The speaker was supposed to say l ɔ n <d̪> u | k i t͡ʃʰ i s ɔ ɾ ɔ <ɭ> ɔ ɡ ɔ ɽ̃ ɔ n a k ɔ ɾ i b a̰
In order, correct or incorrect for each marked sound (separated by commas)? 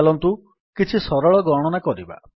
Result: incorrect, correct